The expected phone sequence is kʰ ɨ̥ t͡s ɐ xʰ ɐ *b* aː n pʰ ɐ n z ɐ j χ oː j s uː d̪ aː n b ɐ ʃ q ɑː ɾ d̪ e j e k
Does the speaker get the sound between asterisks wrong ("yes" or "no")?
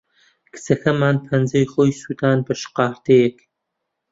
yes